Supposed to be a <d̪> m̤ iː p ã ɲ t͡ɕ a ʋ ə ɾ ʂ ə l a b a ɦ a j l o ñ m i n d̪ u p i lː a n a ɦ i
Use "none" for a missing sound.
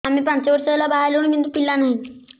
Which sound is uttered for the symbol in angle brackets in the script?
none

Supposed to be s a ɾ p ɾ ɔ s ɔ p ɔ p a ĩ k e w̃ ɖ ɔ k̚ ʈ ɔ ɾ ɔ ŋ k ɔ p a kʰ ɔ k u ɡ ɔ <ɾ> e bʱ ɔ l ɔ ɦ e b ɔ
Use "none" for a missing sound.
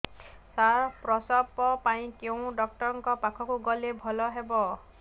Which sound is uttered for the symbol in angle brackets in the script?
l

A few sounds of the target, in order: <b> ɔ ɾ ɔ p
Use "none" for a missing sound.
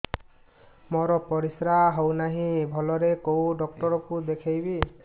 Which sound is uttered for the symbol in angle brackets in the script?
m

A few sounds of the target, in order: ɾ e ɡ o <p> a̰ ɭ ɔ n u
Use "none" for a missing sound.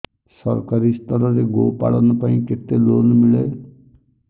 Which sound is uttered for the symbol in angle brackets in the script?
p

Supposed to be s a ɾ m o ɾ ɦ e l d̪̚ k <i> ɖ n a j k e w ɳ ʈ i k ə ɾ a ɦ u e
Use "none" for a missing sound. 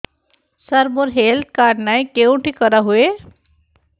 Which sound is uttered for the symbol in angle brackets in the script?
a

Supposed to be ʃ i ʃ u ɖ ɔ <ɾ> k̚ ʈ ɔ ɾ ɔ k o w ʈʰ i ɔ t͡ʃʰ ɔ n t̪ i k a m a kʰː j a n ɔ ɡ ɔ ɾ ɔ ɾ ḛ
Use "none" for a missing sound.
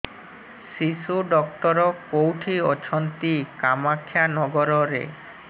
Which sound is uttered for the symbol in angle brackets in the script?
none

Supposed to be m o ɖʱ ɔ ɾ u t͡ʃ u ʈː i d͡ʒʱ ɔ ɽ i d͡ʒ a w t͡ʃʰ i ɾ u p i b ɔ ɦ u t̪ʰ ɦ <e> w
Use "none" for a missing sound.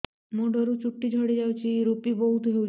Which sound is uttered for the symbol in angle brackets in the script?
e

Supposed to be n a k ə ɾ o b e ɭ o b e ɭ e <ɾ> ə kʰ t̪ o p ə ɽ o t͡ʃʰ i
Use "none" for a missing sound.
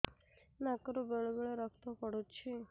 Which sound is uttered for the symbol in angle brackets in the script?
ɾ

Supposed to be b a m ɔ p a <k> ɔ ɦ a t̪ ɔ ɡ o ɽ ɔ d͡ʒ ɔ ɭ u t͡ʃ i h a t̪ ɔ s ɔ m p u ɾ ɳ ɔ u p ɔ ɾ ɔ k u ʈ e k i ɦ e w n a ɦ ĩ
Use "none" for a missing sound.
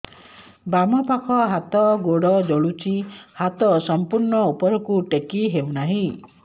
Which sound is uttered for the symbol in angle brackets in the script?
kʰ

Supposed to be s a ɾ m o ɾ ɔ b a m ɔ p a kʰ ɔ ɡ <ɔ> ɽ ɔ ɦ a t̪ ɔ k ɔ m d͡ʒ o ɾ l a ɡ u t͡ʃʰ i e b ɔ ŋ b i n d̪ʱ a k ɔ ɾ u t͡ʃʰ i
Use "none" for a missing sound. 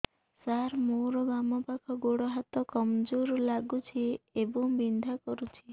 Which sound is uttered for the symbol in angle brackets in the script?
o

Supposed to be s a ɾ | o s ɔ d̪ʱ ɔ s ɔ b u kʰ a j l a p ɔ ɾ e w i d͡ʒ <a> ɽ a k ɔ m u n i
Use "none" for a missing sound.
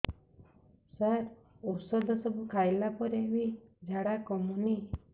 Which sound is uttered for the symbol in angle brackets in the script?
a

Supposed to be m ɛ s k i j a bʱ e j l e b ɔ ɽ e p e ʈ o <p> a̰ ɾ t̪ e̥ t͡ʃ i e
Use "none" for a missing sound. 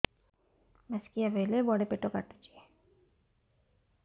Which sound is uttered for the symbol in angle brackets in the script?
k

